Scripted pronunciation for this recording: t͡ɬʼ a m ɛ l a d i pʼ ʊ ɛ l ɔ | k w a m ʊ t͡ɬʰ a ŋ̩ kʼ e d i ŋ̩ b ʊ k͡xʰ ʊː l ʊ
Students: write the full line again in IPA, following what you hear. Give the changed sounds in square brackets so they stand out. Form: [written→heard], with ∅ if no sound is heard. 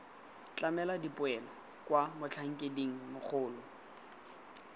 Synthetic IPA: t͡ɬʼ a m ɛ l a d i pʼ ʊ ɛ l ɔ | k w a m ʊ t͡ɬʰ a ŋ̩ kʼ e d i ŋ̩ [b→m] ʊ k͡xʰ ʊː l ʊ